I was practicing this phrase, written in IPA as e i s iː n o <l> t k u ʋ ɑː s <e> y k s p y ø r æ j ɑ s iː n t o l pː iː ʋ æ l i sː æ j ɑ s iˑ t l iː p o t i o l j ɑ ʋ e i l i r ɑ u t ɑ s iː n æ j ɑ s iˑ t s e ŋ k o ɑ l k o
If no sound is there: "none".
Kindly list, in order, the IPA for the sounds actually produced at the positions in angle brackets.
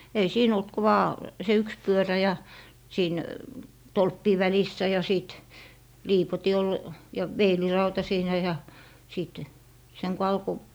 l, e

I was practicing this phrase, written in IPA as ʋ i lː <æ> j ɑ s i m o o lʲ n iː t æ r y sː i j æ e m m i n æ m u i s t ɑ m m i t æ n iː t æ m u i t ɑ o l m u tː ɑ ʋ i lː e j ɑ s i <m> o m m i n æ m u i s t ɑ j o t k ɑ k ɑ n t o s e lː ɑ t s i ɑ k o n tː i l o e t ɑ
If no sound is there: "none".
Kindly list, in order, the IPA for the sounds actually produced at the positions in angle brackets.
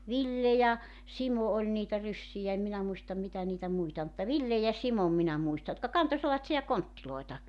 e, m

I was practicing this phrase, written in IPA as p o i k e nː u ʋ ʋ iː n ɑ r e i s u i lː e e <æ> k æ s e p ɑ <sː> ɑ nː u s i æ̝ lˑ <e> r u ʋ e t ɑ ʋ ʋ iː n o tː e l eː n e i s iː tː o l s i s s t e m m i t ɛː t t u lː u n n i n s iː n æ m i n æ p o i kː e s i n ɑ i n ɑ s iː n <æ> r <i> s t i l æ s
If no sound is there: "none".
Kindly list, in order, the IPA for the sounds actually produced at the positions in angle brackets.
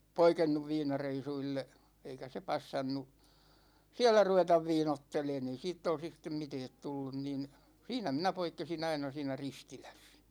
i, sː, æ, æ, i

